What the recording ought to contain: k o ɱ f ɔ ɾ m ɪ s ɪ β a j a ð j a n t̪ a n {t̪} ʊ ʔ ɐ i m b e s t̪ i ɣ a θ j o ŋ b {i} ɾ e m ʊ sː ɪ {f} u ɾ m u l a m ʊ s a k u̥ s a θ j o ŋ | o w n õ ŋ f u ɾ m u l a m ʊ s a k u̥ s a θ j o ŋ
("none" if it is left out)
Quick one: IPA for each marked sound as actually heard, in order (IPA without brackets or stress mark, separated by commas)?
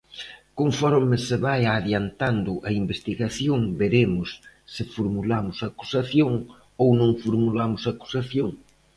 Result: d̪, e, f